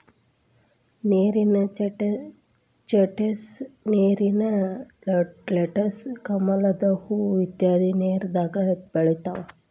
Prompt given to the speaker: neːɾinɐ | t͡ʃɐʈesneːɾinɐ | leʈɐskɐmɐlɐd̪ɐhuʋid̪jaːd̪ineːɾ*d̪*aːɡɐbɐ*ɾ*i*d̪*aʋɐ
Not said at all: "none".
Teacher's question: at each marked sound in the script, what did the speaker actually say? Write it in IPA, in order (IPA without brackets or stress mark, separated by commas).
d̪, ɭ, t̪